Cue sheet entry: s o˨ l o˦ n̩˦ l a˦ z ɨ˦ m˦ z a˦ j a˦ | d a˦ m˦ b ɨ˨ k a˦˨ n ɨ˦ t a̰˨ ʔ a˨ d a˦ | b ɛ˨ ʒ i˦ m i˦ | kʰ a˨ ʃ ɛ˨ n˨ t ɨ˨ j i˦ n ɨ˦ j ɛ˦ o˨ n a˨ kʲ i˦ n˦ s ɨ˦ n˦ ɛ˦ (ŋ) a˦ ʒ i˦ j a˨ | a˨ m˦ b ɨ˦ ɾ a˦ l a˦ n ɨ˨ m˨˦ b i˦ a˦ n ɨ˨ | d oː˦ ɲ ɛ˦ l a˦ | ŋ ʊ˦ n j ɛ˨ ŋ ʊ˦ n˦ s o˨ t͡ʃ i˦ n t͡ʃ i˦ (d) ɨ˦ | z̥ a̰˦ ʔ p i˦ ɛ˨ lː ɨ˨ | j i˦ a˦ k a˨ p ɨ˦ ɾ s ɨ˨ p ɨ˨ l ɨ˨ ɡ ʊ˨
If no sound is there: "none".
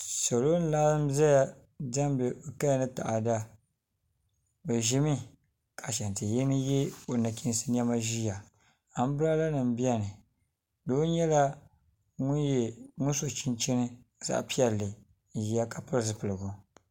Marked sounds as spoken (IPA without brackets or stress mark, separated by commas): m, n